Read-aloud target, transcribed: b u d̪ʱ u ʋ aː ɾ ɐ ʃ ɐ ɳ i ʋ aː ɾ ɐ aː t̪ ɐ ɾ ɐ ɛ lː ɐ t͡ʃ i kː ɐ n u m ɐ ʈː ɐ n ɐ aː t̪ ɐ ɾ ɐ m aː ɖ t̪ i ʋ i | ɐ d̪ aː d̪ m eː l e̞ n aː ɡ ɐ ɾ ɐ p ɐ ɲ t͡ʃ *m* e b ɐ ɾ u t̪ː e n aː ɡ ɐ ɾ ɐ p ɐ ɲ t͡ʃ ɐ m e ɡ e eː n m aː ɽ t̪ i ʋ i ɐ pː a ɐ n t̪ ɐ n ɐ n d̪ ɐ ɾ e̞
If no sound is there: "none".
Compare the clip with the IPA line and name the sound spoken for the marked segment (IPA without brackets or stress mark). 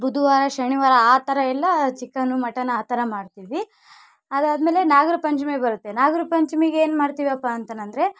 m